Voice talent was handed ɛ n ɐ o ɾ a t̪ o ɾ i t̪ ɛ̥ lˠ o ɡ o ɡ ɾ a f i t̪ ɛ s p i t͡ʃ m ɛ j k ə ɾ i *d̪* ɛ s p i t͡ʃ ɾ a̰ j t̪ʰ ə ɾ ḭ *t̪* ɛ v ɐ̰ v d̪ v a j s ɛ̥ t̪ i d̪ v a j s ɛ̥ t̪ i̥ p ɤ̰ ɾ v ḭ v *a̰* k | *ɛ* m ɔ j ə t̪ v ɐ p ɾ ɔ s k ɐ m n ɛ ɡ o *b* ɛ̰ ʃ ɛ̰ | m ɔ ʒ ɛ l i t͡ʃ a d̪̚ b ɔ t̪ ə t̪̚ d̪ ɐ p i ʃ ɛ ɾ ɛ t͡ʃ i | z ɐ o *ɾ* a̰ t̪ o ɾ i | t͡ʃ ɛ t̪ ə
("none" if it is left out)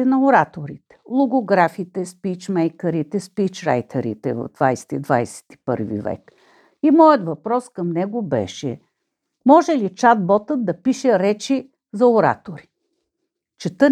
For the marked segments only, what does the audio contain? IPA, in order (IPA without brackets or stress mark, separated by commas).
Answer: t̪, t̪, ɛ̰, i, b, ɾ